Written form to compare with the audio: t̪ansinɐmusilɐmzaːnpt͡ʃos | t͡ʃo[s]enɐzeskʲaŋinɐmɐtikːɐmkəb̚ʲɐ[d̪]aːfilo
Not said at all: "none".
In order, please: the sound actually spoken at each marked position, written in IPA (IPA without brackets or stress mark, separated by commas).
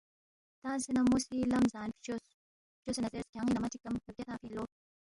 s, t̪